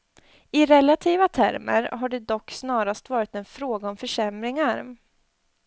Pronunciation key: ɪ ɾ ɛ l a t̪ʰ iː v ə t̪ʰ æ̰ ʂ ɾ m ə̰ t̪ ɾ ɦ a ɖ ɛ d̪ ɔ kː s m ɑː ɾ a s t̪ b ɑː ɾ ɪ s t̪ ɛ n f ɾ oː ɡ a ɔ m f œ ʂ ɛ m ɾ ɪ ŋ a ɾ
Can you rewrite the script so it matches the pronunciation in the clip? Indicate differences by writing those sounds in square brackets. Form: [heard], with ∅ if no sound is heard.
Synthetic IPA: ɪ ɾ ɛ l a t̪ʰ iː v [a] t̪ʰ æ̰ [∅] ɾ m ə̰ [∅] ɾ ɦ a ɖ ɛ d̪ ɔ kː s [n] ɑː ɾ a s t̪ [v] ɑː ɾ ɪ [∅] t̪ ɛ n f ɾ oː ɡ a ɔ m f œ ʂ ɛ m ɾ ɪ ŋ a ɾ